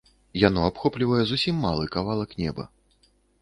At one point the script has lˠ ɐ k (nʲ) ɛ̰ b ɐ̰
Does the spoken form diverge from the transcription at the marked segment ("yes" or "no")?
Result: no